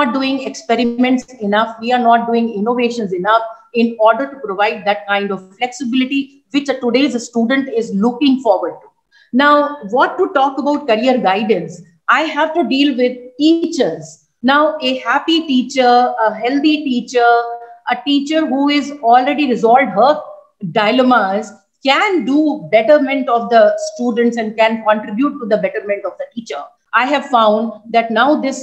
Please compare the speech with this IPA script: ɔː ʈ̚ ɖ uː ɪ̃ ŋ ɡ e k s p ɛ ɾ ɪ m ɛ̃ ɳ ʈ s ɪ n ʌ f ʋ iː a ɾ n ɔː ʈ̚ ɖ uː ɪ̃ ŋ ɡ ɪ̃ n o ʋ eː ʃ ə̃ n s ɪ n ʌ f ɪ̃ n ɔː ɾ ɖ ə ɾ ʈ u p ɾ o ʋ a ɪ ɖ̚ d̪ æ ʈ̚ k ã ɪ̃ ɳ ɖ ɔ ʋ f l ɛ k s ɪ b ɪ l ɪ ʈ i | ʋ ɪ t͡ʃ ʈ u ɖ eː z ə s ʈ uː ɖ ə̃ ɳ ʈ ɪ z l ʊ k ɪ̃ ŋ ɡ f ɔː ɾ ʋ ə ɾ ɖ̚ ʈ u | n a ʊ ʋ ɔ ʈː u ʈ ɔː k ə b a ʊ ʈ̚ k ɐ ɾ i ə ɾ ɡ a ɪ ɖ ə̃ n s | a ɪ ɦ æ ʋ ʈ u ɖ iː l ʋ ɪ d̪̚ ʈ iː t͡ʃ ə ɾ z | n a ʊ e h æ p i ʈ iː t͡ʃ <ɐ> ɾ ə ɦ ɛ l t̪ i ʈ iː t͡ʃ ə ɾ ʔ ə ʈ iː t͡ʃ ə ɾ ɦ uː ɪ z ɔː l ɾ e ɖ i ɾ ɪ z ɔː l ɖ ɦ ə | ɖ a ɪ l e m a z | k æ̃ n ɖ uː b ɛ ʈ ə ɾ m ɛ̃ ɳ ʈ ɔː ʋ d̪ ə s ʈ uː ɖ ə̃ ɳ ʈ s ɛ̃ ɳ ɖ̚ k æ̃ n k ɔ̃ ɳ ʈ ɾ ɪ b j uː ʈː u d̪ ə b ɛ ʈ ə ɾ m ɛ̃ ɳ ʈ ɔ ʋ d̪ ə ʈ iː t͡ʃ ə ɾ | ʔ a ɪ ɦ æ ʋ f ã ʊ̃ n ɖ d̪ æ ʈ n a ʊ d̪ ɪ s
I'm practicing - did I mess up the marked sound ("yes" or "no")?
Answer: yes